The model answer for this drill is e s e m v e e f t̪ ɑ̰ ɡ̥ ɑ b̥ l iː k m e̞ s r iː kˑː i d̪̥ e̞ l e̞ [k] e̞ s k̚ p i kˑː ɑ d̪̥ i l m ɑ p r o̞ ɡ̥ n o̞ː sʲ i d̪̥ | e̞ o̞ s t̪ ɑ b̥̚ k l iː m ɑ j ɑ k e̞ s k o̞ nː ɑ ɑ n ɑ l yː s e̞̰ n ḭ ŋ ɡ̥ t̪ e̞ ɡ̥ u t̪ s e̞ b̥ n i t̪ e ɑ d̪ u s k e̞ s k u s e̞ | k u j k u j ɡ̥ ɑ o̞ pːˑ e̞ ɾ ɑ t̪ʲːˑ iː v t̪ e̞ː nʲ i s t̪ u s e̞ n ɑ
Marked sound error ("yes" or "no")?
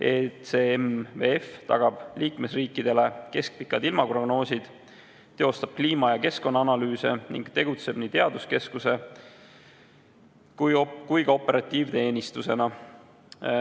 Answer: no